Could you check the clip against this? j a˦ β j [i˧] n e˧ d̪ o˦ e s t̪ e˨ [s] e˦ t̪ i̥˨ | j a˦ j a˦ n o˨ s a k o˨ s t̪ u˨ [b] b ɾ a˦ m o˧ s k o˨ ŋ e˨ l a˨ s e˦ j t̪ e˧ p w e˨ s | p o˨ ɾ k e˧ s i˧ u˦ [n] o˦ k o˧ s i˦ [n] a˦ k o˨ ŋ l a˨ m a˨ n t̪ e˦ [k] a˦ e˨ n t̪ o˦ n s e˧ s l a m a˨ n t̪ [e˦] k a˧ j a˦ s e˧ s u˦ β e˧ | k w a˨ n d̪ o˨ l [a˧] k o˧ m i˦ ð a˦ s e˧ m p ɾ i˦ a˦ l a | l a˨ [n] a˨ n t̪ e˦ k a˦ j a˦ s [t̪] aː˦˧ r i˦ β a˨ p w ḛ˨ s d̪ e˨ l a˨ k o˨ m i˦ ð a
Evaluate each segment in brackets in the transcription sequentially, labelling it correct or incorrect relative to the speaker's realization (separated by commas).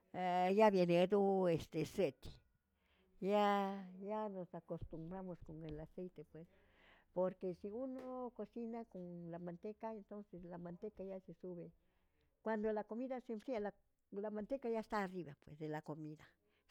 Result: incorrect, correct, incorrect, correct, correct, correct, correct, correct, incorrect, correct